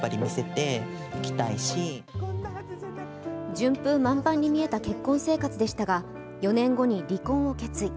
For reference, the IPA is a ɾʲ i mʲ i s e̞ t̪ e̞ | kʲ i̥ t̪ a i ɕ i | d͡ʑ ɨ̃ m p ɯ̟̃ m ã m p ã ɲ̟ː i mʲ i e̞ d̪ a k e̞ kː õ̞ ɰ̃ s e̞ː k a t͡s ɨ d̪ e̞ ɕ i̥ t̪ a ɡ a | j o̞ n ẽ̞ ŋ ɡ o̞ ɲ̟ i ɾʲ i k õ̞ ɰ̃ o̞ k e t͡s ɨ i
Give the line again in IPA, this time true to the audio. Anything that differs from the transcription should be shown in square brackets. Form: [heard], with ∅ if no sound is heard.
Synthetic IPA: a ɾʲ i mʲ i s e̞ t̪ e̞ | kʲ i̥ t̪ a i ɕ i | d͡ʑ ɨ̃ m p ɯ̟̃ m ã m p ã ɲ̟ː i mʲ i e̞ [t̪] a k e̞ kː õ̞ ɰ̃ s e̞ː k a t͡s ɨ d̪ e̞ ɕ i̥ t̪ a ɡ a | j o̞ n ẽ̞ ŋ ɡ o̞ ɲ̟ i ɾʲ i k õ̞ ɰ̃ o̞ k e t͡s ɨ i

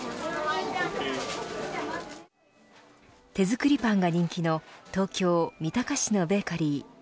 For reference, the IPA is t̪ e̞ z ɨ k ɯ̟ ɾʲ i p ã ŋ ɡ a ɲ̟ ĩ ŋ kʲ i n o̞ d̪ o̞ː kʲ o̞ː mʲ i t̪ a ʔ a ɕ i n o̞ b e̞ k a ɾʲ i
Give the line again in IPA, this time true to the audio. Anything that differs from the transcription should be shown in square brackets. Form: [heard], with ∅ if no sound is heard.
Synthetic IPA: t̪ e̞ z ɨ k ɯ̟ ɾʲ i p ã ŋ ɡ a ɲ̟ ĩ ŋ kʲ i n o̞ [t̪] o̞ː kʲ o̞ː mʲ i t̪ a [k] a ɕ i n o̞ b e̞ k a ɾʲ i

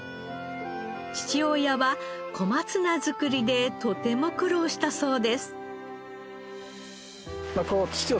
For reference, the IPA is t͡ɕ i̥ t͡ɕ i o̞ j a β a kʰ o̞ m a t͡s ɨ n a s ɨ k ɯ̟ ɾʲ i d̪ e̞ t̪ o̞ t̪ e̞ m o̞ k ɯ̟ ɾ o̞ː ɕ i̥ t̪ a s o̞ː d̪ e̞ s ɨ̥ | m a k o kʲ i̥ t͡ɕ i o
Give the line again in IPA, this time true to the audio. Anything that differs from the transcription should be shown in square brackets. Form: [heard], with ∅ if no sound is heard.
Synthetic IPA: t͡ɕ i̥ t͡ɕ i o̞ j a β a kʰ o̞ m a t͡s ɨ n a [z] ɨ k ɯ̟ ɾʲ i d̪ e̞ t̪ o̞ t̪ e̞ m o̞ k ɯ̟ ɾ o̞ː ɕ i̥ t̪ a s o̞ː d̪ e̞ s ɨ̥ | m a k o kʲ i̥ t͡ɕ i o

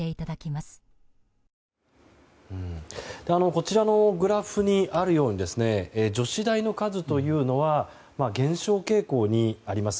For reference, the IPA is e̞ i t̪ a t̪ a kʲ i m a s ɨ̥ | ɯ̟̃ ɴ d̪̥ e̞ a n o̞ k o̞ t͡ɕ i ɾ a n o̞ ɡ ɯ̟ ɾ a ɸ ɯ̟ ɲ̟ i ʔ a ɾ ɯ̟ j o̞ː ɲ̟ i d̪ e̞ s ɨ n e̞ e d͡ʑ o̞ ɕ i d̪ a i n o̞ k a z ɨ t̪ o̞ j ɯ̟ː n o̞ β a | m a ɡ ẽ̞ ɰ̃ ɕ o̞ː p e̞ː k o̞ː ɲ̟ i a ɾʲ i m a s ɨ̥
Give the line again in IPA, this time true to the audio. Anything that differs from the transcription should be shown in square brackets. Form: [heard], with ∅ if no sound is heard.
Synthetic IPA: e̞ i t̪ a [d̪] a kʲ i m a s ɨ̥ | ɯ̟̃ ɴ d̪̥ e̞ a n o̞ k o̞ t͡ɕ i ɾ a n o̞ ɡ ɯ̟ ɾ a ɸ ɯ̟ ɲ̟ i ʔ a ɾ ɯ̟ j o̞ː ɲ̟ i d̪ e̞ s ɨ n e̞ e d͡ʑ o̞ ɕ i d̪ a i n o̞ k a z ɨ t̪ o̞ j ɯ̟ː n o̞ β a | m a ɡ ẽ̞ ɰ̃ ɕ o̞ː [k] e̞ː k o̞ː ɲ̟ i a ɾʲ i m a s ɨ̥

